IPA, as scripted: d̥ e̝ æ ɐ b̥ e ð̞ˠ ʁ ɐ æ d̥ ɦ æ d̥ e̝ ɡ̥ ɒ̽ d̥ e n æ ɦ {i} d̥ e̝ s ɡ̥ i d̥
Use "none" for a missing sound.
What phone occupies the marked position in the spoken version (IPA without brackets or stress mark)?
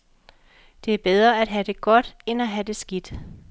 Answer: æ